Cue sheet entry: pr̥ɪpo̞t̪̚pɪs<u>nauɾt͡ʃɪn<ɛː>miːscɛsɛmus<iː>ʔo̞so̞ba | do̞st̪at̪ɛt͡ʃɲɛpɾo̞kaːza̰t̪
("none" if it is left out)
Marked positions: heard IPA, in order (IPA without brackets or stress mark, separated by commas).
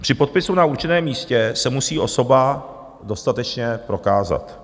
u, ɛː, iː